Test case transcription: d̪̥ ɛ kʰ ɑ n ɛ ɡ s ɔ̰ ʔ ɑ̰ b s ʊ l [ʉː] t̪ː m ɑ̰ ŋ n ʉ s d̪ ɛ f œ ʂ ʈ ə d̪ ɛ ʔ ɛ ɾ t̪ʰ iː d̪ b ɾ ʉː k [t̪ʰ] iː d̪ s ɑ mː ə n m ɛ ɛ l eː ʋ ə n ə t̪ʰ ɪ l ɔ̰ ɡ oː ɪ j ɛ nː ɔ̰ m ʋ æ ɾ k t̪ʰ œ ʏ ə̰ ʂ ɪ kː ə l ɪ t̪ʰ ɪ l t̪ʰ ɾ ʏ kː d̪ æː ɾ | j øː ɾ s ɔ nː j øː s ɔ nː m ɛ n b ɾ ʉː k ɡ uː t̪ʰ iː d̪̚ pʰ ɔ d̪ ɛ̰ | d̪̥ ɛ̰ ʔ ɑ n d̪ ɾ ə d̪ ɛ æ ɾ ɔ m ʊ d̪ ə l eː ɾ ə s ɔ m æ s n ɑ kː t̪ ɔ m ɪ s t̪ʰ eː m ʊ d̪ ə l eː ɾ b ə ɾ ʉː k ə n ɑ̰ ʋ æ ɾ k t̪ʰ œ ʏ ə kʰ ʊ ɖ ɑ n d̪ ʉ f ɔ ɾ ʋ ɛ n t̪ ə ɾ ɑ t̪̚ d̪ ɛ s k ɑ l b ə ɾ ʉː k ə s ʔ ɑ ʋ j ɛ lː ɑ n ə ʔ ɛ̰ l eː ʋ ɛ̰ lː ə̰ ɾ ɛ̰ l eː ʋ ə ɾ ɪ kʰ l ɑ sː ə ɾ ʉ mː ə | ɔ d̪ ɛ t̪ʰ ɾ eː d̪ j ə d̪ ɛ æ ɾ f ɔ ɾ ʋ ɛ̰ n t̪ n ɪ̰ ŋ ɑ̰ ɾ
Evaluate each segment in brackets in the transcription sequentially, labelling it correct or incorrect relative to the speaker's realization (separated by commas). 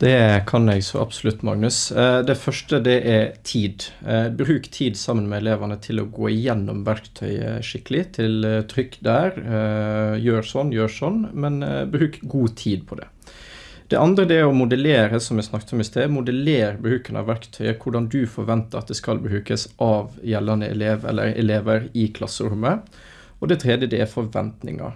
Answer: incorrect, correct